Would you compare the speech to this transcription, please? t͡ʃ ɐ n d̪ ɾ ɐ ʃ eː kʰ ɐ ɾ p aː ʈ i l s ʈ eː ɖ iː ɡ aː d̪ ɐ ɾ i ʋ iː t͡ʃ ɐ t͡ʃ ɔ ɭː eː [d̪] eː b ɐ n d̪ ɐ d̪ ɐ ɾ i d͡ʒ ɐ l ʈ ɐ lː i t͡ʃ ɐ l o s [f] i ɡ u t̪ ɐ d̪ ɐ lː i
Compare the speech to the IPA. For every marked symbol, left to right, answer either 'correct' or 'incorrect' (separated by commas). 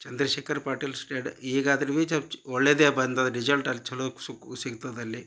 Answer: correct, incorrect